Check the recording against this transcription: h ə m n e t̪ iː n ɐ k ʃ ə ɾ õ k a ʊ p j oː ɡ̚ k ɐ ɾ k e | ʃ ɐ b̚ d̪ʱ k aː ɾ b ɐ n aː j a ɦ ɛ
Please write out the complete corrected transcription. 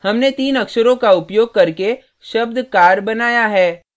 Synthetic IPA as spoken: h ɐ m n e t̪ iː n ɐ k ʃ ə ɾ õ k a ʊ p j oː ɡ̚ k ɐ ɾ k e | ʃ ɐ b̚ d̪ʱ k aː ɾ b ɐ n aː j a ɦ ɛː